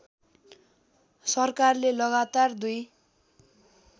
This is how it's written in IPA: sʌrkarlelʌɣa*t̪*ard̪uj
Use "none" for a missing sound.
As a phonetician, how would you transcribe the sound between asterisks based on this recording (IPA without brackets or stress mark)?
t̪